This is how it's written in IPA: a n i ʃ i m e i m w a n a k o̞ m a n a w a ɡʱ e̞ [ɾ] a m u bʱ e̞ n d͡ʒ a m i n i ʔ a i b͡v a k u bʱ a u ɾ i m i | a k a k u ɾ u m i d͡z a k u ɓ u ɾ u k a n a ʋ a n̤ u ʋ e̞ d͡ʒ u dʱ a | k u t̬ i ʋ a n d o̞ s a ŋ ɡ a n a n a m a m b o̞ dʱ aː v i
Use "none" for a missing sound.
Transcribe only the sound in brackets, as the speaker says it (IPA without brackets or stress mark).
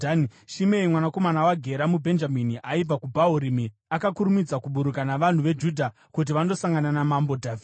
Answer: ɾ